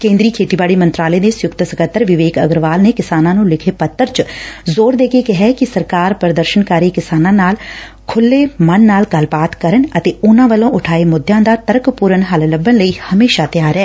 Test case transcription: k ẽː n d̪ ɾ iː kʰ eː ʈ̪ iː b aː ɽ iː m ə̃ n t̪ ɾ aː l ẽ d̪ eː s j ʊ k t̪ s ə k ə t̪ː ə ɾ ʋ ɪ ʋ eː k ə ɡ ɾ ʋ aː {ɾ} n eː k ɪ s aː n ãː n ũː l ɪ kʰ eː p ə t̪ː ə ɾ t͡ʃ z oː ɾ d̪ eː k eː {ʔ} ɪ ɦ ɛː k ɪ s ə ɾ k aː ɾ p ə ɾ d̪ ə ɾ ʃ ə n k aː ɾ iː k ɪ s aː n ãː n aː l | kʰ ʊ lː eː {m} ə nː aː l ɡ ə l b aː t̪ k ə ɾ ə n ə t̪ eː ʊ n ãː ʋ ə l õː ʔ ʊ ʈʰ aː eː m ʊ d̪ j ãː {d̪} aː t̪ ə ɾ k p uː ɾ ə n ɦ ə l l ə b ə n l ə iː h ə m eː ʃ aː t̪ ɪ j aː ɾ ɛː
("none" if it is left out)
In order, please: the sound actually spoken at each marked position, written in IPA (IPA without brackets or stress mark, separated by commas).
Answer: l, k, m, d̪